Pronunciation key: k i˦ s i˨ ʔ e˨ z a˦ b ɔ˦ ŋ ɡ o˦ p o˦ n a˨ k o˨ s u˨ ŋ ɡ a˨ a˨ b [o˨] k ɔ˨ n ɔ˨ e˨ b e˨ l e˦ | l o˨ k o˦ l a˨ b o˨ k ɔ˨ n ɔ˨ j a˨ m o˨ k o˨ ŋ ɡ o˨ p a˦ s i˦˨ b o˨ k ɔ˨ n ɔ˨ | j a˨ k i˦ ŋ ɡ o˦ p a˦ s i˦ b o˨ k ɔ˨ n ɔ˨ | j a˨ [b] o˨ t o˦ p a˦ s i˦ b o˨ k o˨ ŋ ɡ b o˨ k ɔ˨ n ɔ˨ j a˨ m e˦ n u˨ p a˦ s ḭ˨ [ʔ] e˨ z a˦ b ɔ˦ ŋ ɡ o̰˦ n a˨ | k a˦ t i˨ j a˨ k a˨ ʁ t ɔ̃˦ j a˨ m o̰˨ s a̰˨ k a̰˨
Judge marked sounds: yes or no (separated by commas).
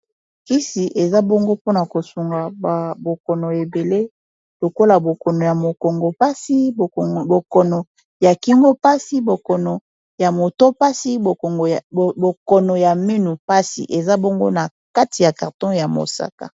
yes, no, yes